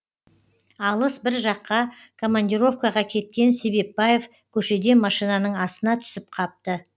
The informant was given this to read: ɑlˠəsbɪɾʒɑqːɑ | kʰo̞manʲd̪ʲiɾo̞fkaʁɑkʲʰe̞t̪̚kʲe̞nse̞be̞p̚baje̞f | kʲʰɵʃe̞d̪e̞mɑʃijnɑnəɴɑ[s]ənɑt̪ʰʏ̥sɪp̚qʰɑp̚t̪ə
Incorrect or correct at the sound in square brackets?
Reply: correct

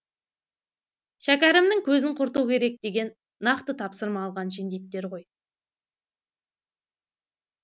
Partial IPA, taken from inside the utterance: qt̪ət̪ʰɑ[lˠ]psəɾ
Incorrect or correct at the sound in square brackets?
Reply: incorrect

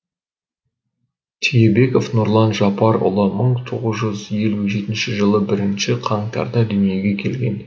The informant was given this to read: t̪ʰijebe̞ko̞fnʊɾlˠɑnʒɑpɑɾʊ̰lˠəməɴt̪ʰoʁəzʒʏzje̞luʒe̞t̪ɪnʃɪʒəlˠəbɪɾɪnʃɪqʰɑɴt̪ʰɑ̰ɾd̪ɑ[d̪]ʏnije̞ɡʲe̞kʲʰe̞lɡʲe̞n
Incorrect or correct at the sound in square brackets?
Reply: correct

